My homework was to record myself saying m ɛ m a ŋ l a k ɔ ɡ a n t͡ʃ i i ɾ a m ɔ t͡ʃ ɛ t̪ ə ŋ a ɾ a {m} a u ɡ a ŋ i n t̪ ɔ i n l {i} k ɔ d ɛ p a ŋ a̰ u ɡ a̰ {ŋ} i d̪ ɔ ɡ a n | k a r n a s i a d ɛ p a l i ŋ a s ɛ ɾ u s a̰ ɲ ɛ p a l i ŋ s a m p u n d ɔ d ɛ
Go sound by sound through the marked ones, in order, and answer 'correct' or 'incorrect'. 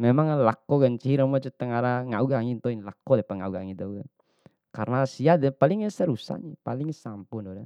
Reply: incorrect: ŋ, incorrect: a, correct

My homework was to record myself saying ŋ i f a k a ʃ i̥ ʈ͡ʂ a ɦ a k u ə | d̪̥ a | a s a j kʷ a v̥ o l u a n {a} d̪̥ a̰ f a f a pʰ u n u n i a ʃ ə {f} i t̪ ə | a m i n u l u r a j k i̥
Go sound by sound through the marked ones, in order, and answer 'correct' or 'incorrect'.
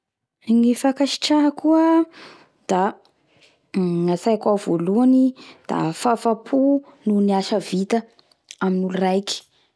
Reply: incorrect: i, incorrect: v

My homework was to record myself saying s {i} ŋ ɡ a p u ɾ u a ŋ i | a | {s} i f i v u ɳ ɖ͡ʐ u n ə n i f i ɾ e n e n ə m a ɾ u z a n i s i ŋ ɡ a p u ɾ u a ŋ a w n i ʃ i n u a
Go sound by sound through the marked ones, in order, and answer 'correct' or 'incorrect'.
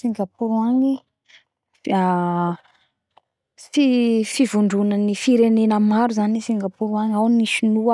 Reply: correct, incorrect: f

